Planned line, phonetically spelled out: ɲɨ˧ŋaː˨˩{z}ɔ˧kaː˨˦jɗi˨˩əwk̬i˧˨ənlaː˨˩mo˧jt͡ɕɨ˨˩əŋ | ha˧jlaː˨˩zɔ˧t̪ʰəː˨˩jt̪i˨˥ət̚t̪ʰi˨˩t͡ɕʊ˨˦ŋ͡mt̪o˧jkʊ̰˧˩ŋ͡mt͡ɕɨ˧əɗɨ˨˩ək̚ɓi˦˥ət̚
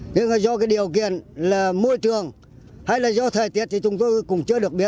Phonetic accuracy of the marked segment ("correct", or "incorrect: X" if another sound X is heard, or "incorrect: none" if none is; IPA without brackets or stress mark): correct